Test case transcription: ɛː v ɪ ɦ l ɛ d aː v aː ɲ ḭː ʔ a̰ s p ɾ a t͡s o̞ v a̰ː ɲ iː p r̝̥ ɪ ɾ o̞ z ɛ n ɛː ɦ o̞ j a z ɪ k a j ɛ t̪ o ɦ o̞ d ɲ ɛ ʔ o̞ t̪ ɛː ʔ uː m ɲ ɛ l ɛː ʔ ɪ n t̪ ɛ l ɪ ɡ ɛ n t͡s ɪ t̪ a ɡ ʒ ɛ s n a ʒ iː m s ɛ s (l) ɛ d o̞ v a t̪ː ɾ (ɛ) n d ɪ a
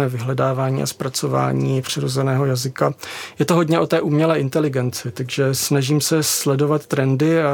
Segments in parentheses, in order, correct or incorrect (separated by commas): correct, correct